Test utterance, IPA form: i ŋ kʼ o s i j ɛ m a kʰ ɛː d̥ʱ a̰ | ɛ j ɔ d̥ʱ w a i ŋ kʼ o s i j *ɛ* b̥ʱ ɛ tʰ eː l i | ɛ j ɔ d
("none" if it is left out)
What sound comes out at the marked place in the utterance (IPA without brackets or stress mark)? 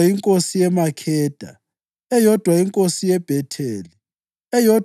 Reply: ɛ